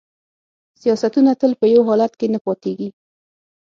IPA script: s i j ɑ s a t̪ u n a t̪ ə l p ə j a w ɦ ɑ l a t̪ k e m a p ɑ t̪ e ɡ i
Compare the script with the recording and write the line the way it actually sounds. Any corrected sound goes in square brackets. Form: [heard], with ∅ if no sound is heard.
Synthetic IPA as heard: s i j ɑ s a t̪ u n a t̪ ə l p ə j a w ɦ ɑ l a t̪ k e [n] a p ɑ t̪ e ɡ i